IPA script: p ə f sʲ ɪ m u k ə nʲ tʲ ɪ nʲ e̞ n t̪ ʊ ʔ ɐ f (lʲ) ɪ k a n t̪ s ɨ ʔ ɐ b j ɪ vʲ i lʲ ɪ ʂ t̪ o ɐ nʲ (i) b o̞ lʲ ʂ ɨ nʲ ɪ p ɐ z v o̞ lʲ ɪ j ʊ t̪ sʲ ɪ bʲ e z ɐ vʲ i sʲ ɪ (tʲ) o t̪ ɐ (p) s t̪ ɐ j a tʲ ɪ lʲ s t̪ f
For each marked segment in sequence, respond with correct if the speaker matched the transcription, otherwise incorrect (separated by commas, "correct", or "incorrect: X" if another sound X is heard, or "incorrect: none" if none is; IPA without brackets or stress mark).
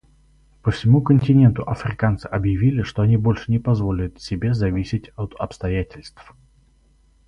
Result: incorrect: ɾʲ, correct, correct, correct